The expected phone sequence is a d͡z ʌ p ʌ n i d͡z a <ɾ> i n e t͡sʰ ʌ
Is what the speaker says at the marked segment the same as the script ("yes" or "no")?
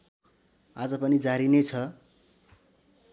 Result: yes